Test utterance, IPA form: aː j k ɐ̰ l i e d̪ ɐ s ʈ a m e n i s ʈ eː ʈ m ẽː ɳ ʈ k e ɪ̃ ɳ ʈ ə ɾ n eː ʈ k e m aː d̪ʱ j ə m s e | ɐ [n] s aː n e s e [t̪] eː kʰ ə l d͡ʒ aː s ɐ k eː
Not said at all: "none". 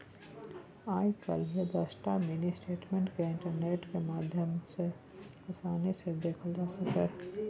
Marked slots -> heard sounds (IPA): none, d̪

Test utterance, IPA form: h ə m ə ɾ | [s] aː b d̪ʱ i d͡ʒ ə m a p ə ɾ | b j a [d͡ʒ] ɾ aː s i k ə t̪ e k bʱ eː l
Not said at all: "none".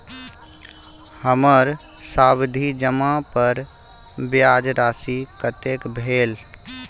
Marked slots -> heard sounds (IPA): s, d͡ʒ

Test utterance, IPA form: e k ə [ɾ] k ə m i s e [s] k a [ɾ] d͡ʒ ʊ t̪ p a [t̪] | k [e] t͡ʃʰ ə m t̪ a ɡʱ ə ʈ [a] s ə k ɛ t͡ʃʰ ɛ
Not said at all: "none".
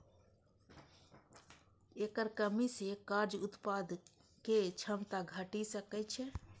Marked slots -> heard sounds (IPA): ɾ, none, ɾ, d̪, e, i

